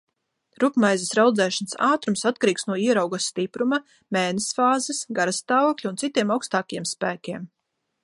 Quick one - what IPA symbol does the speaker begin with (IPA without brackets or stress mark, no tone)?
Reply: ɾ